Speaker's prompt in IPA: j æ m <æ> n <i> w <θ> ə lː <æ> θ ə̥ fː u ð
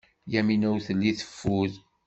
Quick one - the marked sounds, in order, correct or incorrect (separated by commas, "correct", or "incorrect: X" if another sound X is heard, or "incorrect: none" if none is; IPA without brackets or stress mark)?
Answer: incorrect: i, incorrect: æ, correct, incorrect: i